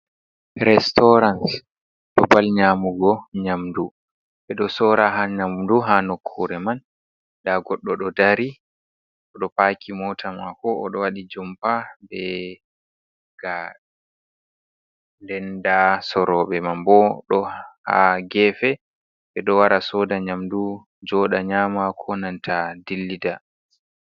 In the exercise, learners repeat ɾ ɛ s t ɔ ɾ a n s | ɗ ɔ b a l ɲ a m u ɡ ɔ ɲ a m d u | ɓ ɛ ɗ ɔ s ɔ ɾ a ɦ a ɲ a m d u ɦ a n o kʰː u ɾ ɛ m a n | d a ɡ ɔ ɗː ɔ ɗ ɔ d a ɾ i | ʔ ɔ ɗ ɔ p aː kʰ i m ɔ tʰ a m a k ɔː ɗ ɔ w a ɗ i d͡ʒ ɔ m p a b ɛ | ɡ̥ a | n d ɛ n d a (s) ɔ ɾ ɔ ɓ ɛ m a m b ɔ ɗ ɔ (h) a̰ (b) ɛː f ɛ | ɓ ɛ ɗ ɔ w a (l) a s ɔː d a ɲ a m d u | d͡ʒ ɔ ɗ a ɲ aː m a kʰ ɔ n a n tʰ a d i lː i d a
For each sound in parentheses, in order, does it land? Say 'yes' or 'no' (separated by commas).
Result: yes, yes, no, no